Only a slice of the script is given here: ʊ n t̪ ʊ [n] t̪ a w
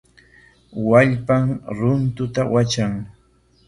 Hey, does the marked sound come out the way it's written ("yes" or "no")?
no